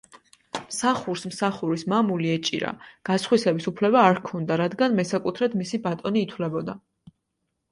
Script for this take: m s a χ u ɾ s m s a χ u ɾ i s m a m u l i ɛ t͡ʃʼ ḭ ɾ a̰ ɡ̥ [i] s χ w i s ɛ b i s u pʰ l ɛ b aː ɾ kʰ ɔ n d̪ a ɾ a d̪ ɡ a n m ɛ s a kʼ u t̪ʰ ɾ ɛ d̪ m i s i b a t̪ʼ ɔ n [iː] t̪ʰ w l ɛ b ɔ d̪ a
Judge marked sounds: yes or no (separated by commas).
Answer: no, yes